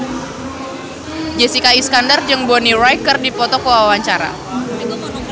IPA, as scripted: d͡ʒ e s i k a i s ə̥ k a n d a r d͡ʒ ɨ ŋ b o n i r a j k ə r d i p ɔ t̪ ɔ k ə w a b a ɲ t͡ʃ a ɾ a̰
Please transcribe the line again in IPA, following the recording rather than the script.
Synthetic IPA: d͡ʒ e s i k a i s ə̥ k a n d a r d͡ʒ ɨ ŋ b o n i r a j k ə r d i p ɔ t̪ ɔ k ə w a w a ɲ t͡ʃ a ɾ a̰